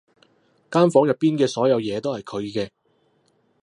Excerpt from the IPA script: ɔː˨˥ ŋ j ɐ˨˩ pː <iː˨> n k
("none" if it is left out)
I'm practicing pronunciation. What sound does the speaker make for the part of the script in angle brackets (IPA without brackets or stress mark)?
iː˥